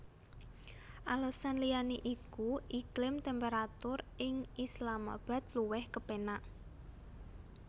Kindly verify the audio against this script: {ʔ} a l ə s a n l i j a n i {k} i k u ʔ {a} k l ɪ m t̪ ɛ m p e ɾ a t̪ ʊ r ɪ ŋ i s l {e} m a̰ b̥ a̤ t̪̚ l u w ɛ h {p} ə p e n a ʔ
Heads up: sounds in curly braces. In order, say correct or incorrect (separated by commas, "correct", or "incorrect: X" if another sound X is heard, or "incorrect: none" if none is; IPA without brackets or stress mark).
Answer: correct, incorrect: ʔ, incorrect: i, incorrect: a, incorrect: k